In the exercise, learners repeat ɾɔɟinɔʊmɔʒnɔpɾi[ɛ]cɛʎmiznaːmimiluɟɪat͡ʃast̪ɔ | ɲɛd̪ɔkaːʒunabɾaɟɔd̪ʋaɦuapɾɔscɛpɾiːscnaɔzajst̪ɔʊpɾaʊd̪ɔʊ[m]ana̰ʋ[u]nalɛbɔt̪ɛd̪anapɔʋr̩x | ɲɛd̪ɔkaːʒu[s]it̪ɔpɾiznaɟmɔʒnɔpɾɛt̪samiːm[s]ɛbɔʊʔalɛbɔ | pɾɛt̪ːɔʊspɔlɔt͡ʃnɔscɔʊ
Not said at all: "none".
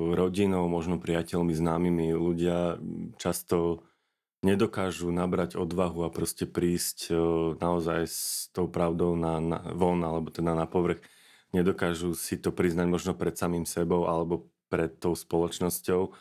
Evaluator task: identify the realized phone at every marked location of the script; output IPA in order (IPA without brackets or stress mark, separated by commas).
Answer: a, n, ɔ, s, s